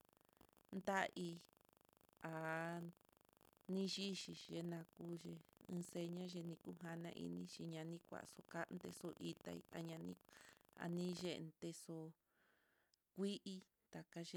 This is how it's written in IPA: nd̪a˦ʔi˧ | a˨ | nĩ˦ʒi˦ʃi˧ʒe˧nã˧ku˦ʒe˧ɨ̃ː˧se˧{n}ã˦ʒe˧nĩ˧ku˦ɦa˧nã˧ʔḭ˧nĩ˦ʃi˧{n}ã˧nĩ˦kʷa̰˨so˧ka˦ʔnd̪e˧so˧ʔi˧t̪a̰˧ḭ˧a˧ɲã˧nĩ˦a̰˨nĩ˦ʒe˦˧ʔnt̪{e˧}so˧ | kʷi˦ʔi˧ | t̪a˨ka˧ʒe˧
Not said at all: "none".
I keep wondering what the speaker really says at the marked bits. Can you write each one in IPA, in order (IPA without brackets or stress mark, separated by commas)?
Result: ɲ, ɲ, e˧